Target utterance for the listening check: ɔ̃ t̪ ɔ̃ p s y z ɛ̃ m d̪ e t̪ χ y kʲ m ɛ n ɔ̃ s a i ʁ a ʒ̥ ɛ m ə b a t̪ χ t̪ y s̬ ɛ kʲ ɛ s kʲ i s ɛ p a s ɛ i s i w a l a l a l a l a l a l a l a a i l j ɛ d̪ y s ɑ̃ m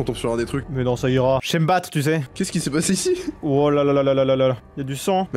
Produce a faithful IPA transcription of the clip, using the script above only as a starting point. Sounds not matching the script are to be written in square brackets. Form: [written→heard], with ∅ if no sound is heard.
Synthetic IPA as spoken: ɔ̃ t̪ ɔ̃ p s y [z→ʁ] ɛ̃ [m→∅] d̪ e t̪ χ y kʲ m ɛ n ɔ̃ s a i ʁ a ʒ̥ ɛ m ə b a t̪ χ t̪ y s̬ ɛ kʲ ɛ s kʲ i s ɛ p a s [ɛ→e] i s i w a l a l a l a l a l a l a l a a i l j [ɛ→a] d̪ y s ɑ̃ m